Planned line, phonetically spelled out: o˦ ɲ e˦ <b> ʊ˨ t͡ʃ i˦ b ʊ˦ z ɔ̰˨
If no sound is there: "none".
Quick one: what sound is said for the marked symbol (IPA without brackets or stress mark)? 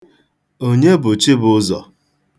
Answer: b